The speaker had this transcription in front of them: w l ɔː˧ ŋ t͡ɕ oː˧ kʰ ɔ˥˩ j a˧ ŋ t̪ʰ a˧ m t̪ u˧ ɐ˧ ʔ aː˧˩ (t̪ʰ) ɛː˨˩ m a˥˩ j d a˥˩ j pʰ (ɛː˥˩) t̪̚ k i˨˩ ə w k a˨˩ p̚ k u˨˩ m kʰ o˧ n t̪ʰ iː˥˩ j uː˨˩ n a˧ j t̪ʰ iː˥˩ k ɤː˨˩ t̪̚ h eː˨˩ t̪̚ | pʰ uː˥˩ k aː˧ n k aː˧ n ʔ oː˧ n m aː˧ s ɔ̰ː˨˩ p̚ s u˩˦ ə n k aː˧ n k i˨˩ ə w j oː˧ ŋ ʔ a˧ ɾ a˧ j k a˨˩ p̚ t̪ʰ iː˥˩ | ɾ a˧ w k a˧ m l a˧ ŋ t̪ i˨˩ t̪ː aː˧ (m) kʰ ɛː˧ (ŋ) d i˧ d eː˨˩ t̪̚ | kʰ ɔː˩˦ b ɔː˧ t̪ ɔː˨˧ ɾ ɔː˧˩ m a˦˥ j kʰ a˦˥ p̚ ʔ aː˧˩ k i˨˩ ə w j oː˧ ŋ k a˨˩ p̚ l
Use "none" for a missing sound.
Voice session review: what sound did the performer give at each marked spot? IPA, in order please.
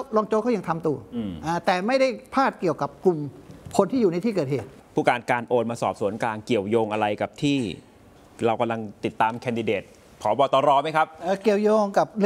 t̪, aː˥˩, m, n

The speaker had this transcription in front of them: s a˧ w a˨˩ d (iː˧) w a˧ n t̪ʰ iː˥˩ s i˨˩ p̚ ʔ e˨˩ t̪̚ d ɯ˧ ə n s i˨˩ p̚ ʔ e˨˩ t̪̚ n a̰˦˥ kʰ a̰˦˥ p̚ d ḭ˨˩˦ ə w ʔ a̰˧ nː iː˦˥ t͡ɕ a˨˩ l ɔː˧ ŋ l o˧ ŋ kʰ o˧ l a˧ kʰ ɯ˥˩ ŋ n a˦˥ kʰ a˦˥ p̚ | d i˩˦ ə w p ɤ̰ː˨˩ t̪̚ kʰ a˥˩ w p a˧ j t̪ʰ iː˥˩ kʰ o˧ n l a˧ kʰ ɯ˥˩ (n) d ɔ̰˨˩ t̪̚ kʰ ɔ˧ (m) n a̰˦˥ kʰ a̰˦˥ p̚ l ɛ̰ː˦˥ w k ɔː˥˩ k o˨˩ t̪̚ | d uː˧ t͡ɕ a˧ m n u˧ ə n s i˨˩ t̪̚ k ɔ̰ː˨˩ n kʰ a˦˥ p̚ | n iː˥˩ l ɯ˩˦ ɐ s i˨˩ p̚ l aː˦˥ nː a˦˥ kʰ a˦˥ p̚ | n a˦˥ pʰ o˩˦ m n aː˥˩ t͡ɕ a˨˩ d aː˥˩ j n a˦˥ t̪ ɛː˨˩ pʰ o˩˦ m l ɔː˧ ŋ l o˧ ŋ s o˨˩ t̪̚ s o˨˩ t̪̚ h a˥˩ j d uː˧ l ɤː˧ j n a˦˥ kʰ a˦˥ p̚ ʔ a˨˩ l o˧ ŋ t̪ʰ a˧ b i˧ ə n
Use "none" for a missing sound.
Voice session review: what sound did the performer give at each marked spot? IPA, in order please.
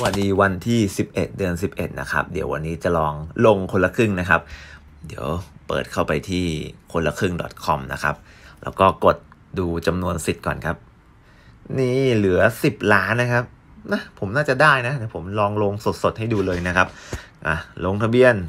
iː˧, ŋ, m

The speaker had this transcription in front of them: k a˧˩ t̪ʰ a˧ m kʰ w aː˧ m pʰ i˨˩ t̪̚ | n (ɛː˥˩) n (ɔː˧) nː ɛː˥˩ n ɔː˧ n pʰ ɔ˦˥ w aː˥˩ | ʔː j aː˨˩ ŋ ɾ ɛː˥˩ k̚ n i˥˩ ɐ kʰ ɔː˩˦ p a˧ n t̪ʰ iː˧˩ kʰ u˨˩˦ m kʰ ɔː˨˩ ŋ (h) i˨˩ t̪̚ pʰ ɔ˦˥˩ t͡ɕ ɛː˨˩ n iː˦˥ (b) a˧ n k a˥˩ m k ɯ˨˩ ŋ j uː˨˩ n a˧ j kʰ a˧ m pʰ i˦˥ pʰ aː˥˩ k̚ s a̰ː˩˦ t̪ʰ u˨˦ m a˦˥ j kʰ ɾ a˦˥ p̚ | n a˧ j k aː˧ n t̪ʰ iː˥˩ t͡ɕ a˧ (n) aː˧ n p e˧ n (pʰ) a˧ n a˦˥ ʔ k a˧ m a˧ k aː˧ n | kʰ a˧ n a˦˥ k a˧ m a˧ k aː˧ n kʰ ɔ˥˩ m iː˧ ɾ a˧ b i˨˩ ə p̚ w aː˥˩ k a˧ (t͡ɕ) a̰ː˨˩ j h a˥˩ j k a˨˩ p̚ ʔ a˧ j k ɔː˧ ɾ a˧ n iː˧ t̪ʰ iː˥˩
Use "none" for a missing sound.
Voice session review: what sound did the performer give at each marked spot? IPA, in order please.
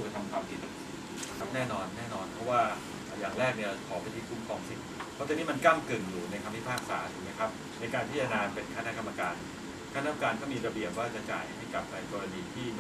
ɛː˥˩, ɔː˧, s, m, n, kʰ, t͡ɕ

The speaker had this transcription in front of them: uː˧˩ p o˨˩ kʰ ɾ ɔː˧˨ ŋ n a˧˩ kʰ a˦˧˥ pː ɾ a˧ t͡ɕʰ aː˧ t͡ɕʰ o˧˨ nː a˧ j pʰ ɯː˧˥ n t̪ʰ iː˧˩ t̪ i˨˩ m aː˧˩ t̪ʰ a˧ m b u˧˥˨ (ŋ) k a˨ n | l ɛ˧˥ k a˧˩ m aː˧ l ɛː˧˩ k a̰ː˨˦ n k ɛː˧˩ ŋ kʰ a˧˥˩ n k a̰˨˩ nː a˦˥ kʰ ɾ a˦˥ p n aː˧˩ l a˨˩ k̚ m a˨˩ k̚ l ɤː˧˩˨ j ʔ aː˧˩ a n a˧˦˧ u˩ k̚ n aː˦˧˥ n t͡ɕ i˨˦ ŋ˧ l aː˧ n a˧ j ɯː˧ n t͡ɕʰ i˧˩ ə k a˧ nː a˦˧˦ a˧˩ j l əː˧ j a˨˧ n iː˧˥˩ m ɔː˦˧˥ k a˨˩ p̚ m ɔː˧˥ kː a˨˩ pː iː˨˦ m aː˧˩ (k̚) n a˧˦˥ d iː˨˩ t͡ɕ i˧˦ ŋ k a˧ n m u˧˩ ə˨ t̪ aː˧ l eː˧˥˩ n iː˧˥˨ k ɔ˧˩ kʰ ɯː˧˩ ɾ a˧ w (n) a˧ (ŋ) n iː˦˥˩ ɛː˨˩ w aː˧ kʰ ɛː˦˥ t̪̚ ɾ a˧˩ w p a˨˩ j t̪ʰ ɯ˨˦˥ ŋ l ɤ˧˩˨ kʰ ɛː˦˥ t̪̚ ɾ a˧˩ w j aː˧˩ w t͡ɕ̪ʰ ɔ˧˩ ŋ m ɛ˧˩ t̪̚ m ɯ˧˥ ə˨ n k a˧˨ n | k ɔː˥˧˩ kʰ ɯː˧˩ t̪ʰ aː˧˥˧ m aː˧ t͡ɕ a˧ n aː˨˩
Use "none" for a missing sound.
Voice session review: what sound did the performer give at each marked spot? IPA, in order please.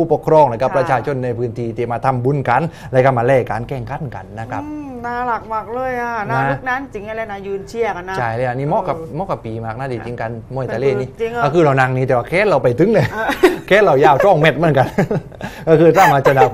n, k̚, n, ŋ

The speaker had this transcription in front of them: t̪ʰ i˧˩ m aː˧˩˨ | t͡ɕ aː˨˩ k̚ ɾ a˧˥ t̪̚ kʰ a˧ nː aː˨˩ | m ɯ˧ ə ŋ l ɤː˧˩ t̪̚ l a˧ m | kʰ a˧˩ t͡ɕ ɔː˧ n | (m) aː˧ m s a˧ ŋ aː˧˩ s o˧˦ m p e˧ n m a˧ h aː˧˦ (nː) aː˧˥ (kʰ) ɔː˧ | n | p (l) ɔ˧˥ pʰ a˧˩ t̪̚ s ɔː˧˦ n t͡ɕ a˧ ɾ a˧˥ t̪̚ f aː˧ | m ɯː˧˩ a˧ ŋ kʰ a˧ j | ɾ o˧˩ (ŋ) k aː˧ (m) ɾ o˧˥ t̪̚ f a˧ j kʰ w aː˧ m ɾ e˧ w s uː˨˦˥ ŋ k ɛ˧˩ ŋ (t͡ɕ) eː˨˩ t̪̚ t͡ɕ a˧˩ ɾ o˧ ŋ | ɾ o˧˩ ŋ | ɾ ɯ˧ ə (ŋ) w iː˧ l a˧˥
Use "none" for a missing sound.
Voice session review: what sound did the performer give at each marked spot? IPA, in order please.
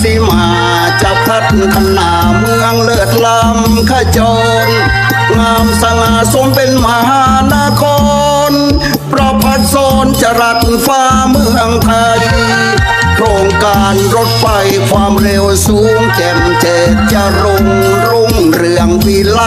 ŋ, n, kʰ, ɾ, ŋ, n, t͡ɕ, ŋ

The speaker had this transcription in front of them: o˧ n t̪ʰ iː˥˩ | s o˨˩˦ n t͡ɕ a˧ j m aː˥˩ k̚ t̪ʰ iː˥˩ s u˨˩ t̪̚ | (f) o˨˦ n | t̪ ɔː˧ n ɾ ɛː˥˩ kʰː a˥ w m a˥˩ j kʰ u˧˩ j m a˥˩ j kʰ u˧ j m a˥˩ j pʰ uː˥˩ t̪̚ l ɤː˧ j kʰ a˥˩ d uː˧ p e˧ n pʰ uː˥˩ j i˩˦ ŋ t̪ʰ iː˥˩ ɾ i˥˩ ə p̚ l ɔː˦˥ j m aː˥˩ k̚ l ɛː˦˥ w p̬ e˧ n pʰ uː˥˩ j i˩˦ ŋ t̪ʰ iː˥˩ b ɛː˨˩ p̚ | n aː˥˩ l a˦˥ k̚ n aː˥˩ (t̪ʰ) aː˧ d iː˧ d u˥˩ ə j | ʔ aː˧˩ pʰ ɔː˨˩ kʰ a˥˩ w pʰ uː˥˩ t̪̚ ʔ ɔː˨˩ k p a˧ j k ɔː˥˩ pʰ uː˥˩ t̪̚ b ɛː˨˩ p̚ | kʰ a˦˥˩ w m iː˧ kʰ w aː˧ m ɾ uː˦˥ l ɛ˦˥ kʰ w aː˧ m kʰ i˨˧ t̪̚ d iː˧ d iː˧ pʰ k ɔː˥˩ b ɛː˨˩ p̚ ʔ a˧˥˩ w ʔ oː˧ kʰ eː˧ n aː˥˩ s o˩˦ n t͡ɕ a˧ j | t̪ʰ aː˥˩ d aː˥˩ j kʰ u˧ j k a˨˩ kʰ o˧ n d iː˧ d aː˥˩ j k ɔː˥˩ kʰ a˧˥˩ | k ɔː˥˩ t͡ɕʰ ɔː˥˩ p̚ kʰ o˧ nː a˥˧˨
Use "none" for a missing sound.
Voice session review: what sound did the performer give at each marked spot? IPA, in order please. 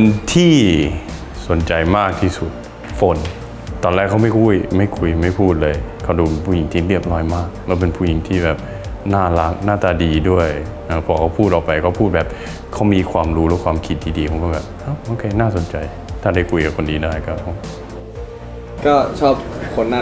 f, t̪

